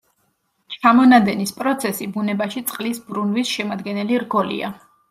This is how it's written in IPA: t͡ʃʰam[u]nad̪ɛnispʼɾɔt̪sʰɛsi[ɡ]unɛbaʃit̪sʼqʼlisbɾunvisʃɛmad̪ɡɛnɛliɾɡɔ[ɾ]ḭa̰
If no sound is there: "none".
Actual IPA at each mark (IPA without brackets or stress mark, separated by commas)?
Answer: ɔ, b, l